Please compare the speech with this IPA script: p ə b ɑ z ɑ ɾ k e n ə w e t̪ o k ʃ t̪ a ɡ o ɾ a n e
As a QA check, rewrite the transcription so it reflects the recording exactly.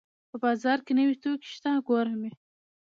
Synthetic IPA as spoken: p ə b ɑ z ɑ ɾ k e n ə w i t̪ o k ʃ t̪ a ɡ o ɾ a m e